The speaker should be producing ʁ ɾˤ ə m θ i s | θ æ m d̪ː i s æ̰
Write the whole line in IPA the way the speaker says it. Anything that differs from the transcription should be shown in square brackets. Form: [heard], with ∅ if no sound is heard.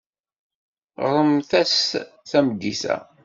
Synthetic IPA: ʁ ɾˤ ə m θ [æ] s | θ æ m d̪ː i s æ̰